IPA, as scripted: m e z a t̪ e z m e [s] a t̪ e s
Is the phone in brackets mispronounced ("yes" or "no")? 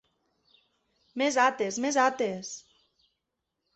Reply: yes